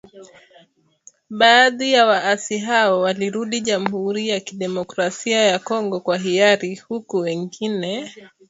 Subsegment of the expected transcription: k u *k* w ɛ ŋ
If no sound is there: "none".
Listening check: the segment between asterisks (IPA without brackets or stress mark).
none